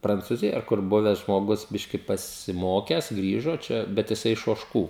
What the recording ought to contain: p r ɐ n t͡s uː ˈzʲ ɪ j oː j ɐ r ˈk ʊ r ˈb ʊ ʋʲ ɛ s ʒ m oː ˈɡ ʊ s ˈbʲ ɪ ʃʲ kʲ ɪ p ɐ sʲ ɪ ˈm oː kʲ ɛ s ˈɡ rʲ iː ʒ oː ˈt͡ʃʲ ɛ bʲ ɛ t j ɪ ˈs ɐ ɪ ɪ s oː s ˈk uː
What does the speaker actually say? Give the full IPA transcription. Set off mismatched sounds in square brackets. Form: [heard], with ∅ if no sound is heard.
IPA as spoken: p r ɐ n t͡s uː ˈzʲ ɪ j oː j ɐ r ˈk ʊ r ˈb ʊ ʋʲ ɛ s ʒ m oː ˈɡ ʊ s ˈbʲ ɪ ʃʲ kʲ ɪ p ɐ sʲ ɪ ˈm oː kʲ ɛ s ˈɡ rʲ iː ʒ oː ˈt͡ʃʲ ɛ bʲ ɛ t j ɪ ˈs ɐ ɪ ɪ [ʃ] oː [ʃ] ˈk uː